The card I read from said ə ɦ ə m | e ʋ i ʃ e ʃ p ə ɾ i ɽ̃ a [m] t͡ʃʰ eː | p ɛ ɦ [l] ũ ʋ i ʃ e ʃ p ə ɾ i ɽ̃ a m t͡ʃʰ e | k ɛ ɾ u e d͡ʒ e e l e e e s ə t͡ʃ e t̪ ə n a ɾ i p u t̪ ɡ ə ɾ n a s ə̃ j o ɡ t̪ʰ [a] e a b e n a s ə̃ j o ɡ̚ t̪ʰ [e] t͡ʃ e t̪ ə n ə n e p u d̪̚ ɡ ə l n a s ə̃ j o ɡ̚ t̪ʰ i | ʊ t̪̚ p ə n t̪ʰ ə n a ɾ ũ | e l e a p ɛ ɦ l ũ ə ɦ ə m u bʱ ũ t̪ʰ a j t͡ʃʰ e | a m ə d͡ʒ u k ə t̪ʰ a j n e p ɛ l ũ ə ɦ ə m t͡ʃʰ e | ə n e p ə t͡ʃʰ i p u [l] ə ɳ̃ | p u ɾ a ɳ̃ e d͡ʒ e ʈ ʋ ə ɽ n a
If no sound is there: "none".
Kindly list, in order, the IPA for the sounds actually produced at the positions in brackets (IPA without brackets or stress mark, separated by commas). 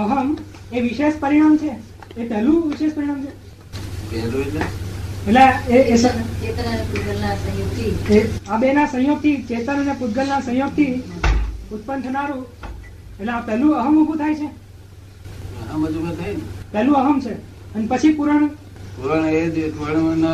m, l, i, i, ɾ